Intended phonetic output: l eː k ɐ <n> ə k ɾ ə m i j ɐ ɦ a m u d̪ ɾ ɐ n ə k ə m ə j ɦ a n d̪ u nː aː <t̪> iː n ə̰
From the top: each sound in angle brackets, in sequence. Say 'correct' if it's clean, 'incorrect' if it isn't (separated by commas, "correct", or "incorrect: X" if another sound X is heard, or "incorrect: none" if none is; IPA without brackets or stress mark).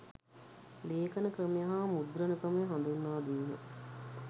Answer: correct, incorrect: d̪